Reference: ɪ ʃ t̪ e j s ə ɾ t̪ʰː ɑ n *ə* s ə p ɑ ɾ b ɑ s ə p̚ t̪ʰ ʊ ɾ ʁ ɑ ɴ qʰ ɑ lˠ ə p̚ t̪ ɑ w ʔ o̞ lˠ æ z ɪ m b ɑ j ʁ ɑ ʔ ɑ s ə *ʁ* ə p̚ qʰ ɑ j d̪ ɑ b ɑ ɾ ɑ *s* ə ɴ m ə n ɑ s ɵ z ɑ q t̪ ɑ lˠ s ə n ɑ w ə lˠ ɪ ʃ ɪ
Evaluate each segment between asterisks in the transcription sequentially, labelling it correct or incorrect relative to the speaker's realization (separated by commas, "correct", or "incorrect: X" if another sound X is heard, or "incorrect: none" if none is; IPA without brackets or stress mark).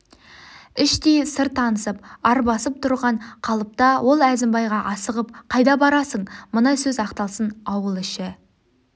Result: correct, correct, correct